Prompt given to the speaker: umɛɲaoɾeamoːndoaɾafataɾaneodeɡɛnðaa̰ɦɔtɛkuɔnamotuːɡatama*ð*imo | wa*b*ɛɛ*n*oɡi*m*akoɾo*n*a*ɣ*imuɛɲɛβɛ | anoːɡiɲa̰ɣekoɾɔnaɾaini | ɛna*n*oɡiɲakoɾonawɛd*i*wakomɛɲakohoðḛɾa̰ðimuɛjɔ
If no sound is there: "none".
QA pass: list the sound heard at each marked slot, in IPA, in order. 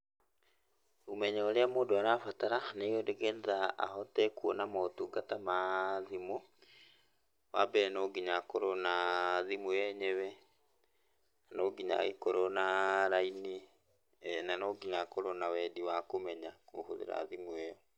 ð, b, n, ɲ, n, ð, n, i

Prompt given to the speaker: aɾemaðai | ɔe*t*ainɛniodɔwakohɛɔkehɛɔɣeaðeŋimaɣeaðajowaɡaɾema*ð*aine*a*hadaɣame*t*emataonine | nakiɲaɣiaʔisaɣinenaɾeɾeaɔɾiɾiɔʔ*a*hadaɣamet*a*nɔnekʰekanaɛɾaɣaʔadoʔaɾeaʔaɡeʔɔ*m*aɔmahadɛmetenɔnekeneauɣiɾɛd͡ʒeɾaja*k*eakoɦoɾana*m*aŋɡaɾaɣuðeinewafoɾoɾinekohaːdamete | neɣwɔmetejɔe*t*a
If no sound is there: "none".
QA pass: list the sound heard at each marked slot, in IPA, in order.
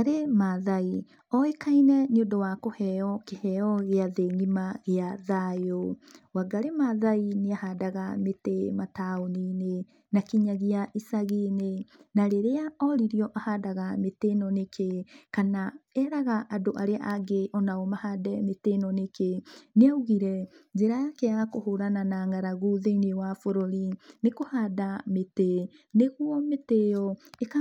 k, ð, a, t, a, e, n, k, n, k

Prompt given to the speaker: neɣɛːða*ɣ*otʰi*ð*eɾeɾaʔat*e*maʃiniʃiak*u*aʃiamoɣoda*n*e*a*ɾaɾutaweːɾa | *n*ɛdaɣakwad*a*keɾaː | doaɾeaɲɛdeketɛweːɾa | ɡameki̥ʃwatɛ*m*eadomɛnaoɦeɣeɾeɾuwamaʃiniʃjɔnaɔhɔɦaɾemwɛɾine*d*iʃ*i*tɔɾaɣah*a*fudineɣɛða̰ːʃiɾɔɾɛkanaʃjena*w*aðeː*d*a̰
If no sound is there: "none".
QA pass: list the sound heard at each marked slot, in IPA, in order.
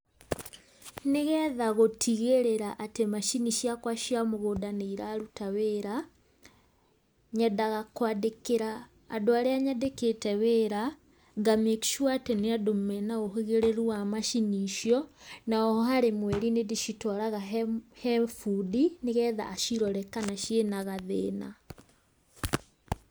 ɣ, ɣ, e, w, n, i, ɲ, e, n, d, i, ɛ, ɣ, n

